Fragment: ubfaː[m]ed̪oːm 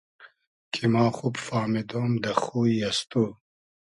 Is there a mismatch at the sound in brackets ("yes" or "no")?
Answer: no